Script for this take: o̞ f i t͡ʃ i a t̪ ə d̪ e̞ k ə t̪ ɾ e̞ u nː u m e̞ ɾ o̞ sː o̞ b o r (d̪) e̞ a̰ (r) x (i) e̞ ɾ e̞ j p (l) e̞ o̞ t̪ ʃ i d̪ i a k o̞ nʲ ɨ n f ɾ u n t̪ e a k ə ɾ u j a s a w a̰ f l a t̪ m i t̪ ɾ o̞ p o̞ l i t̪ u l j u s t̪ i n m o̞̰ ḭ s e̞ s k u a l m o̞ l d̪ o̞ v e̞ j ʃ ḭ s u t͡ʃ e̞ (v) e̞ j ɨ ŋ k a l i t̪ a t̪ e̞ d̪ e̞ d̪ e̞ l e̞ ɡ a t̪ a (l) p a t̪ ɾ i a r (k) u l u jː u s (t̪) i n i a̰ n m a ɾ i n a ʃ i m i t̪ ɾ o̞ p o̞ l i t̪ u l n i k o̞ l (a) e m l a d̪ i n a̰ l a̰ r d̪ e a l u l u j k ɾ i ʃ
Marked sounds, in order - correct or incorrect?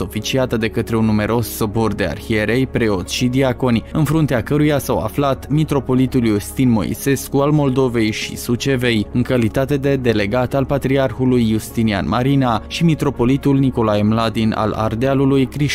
correct, correct, correct, incorrect: ɾ, correct, correct, incorrect: x, correct, correct

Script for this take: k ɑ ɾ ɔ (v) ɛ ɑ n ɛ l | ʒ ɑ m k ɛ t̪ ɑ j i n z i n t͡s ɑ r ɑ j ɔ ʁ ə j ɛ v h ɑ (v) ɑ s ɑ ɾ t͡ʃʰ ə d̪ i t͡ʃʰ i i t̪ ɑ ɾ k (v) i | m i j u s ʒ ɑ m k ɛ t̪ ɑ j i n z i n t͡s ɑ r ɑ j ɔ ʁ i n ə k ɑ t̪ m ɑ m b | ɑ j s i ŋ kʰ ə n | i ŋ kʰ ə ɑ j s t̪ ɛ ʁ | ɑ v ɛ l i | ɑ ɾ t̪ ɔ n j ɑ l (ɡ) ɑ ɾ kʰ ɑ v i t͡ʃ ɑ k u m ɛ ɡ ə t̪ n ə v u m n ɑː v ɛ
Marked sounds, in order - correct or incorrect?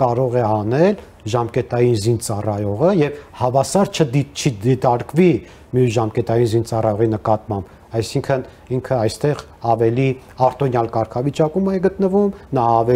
incorrect: ʁ, correct, correct, incorrect: k

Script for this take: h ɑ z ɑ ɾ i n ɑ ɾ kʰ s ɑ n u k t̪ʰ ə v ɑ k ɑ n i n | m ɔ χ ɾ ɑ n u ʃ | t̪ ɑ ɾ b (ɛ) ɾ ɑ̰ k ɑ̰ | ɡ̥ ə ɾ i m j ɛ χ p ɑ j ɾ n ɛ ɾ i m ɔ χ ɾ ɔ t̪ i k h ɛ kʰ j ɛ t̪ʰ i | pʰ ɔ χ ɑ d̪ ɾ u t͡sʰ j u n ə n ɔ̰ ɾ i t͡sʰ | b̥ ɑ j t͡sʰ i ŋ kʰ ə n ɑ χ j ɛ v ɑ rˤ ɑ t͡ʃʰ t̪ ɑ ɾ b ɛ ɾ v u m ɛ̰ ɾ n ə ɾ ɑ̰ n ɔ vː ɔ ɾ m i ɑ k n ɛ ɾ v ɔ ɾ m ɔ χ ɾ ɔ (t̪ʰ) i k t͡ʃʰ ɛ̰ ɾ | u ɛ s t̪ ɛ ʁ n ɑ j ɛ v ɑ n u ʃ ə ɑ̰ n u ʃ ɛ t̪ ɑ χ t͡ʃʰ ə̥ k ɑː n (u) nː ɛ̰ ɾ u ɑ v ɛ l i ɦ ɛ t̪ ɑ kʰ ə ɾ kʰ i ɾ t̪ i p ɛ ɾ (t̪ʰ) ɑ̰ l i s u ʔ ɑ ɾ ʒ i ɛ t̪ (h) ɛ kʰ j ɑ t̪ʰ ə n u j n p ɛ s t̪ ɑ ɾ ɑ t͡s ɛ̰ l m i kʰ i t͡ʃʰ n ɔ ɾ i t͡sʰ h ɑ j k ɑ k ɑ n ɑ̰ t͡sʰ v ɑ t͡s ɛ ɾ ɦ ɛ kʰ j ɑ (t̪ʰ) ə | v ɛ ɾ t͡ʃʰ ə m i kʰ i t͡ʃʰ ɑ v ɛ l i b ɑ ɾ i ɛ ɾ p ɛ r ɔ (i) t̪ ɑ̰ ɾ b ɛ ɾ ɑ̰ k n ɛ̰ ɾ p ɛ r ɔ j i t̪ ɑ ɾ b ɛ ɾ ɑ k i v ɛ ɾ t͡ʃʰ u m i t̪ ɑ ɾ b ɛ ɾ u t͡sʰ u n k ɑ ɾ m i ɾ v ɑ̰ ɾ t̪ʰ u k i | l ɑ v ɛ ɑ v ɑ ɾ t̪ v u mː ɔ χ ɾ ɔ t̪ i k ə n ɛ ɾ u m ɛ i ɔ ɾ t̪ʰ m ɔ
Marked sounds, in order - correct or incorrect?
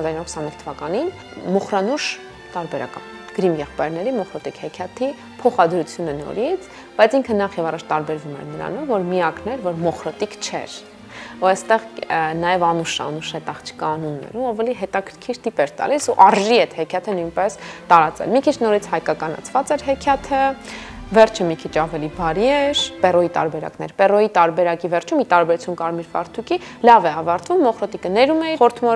correct, incorrect: t̪, correct, incorrect: t̪, correct, correct, correct

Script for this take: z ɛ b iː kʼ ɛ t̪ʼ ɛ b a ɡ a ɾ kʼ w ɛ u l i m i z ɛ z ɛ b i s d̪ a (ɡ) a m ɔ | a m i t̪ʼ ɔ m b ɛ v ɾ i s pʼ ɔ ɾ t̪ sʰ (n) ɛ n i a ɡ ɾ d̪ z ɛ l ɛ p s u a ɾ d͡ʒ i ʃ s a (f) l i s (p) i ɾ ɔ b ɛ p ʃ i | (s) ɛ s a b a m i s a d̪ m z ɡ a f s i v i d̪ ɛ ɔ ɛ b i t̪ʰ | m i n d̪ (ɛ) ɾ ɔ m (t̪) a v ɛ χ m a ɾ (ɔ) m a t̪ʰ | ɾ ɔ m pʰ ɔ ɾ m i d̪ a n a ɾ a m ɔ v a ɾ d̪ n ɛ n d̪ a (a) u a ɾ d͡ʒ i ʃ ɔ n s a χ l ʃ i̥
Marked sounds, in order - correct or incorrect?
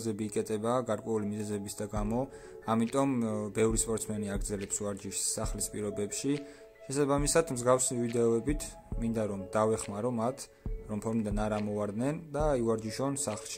correct, incorrect: m, incorrect: χ, incorrect: pʼ, incorrect: ʃ, incorrect: a, incorrect: d̪, correct, incorrect: i

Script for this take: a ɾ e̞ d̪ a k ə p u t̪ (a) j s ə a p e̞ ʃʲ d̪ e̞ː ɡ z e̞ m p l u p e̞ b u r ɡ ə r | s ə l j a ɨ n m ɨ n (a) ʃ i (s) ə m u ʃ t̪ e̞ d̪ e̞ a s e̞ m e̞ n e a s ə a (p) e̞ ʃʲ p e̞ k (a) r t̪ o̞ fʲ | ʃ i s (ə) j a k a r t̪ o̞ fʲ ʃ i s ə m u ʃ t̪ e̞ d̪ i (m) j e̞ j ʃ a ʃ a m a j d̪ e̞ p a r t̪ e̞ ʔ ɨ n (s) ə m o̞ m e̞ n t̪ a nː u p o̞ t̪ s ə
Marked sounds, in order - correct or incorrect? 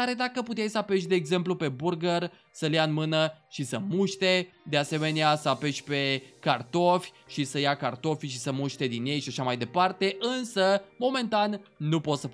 incorrect: e, incorrect: ə, correct, correct, correct, correct, incorrect: n, correct

